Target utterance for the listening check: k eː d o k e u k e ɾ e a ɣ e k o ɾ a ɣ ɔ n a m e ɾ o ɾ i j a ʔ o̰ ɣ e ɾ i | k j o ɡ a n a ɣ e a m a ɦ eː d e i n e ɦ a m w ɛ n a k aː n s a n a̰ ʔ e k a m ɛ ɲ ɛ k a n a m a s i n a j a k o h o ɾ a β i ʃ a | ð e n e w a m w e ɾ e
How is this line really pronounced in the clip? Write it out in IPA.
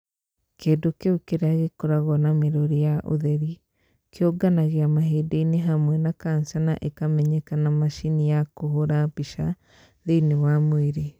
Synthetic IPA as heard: k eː d o k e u k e ɾ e a ɣ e k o ɾ a ɣ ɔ n a m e ɾ o ɾ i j a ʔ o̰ ð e ɾ i | k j o ɡ a n a ɣ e a m a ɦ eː d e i n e ɦ a m w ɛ n a k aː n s a n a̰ ʔ e k a m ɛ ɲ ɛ k a n a m a ʃ i n i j a k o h o ɾ a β i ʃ a | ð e n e w a m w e ɾ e